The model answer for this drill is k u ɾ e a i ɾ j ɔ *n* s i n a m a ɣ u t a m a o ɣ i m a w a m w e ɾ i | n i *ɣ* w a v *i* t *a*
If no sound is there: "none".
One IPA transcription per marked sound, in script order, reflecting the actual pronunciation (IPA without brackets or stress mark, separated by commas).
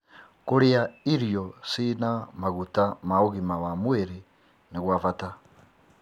none, ɣ, a, a